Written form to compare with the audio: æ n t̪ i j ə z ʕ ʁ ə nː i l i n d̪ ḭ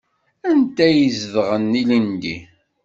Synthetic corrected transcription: æ n t̪ æ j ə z ð ʁ ə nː i l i n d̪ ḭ